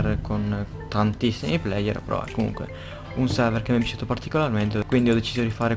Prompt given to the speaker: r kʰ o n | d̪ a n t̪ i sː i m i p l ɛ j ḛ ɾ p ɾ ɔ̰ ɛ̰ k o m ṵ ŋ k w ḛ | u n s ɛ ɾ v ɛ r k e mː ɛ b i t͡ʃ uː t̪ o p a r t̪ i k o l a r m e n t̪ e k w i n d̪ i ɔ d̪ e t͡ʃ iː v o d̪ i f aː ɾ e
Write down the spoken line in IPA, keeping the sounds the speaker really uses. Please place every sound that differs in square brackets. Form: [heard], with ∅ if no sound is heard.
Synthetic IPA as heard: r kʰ o n | [t̪] a n t̪ i sː i m i p l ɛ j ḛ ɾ p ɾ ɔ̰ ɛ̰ k o m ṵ ŋ k w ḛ | u n s ɛ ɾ v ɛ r k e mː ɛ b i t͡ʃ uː t̪ o p a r t̪ i k o l a r m e n t̪ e k w i n d̪ i ɔ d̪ e t͡ʃ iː [z] o d̪ i f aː ɾ e